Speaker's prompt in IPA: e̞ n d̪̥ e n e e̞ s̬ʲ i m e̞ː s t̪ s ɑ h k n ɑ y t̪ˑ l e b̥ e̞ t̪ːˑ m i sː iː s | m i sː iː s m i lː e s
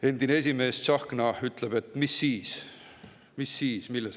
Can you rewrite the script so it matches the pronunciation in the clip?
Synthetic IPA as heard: e̞ n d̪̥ i n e e̞ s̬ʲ i m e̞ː s t̪ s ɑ h k n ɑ y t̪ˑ l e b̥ e̞ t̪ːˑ m i sː iː s | m i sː iː s m i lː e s